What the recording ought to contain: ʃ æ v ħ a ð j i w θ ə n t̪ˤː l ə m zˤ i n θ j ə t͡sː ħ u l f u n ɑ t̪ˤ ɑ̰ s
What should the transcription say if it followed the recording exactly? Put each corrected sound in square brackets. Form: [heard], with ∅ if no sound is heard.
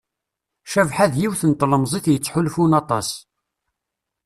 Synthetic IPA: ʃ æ v ħ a ð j i w θ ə n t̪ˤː l ə m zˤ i [∅] θ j ə t͡sː ħ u l f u n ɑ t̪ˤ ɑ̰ s

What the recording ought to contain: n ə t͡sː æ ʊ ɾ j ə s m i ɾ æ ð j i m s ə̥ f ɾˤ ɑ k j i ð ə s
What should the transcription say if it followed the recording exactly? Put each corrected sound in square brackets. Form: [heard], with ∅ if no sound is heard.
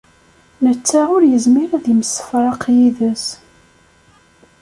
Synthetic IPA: n ə t͡sː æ ʊ ɾ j ə [z] m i ɾ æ ð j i m s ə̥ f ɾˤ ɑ [q] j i ð ə s

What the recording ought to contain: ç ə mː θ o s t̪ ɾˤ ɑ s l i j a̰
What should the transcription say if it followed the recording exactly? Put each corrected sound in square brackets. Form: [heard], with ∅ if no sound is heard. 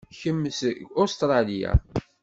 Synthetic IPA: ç ə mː [s] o s t̪ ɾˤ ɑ [∅] l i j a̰

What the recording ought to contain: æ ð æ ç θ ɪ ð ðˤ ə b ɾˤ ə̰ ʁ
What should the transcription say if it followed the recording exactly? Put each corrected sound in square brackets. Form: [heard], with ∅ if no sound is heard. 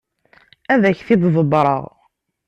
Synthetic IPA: æ ð æ ç θ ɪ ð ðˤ ə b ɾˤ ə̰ ʁ

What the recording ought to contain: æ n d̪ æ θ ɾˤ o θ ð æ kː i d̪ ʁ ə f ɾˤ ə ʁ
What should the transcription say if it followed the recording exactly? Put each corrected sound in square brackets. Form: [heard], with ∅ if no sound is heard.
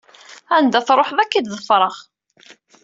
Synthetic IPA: æ n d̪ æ θ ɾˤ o [ħ] ð æ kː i d̪ [ð] ə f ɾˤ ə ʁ

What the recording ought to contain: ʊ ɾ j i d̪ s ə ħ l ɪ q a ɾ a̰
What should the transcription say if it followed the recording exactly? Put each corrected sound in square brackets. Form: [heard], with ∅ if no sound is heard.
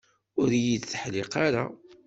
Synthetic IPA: ʊ ɾ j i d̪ [θ] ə ħ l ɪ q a ɾ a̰

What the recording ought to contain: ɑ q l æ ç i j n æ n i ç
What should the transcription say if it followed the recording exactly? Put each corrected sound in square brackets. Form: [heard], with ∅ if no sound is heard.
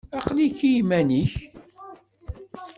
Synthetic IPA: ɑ q l [i] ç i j [m] æ n i ç

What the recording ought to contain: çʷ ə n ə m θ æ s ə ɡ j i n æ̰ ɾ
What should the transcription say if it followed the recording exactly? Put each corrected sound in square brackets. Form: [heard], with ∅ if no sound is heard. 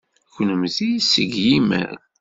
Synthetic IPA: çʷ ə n ə m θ [i] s ə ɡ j i [m] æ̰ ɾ

